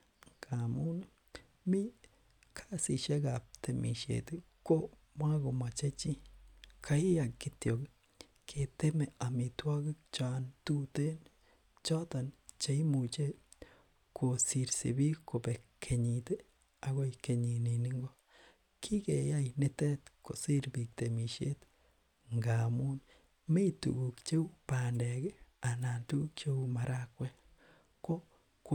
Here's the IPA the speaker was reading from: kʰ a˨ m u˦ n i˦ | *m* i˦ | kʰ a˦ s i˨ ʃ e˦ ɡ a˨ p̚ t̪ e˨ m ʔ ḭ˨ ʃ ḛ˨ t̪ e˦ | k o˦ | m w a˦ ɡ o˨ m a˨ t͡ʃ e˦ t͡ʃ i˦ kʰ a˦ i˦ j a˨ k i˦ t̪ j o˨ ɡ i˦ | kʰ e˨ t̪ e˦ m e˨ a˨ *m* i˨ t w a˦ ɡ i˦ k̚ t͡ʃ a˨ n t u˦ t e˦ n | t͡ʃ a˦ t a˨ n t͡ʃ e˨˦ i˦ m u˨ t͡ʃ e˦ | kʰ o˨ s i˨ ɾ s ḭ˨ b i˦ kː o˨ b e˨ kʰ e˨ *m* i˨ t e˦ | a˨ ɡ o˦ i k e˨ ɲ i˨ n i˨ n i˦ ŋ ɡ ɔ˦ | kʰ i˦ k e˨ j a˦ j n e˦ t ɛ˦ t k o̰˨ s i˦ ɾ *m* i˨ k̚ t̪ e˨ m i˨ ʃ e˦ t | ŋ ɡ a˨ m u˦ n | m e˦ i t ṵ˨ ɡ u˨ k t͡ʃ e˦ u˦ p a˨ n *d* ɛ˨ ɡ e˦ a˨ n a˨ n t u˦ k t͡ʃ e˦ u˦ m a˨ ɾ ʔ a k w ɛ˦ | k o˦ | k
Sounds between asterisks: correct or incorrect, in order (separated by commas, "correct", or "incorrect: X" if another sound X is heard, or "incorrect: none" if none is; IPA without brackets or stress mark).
correct, correct, incorrect: ɲ, incorrect: b, correct